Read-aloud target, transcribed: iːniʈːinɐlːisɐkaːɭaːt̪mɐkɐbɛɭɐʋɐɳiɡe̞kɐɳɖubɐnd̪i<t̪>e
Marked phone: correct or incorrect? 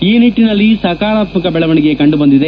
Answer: incorrect: d̪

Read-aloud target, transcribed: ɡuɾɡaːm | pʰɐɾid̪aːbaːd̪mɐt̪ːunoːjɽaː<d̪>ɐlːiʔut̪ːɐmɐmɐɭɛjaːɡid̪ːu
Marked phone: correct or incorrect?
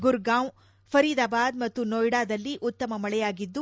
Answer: correct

